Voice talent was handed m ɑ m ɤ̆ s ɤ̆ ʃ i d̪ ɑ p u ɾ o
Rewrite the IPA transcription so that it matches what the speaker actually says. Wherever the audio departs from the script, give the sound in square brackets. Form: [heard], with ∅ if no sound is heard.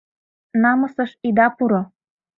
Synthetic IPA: [n] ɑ m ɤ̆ s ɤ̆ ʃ i d̪ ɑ p u ɾ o